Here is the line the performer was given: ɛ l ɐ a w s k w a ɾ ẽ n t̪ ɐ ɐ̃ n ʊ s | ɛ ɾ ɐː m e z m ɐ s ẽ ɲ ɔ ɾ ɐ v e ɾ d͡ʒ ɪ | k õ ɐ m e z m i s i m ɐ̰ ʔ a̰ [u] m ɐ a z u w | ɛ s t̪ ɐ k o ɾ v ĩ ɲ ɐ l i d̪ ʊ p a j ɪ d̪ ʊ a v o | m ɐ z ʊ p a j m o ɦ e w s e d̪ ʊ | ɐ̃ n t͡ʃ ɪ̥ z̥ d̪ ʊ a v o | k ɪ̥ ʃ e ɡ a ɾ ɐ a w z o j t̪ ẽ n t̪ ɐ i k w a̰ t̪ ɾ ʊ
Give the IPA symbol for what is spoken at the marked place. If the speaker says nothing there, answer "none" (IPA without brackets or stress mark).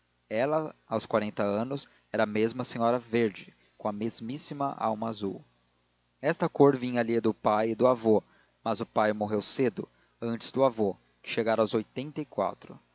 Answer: w